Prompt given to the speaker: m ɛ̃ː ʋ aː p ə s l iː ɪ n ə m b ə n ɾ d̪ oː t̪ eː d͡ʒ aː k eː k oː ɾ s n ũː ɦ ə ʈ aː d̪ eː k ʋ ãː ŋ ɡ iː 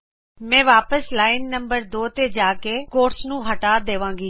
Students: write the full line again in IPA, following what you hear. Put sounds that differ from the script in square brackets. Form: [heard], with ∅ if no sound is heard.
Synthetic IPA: m ɛ̃ː ʋ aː p ə s l [aː] ɪ [nː] ə m b ə [∅] ɾ d̪ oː t̪ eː d͡ʒ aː k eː k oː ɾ s n ũː ɦ ə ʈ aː d̪ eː [∅] ʋ ãː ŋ ɡ iː